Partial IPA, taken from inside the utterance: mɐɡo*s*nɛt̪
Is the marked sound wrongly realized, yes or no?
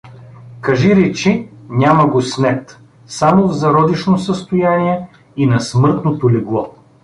no